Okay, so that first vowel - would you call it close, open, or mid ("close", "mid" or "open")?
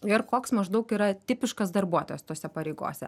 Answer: close